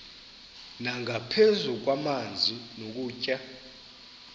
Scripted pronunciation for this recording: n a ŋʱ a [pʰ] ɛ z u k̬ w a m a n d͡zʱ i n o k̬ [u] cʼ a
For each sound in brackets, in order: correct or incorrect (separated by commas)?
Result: correct, incorrect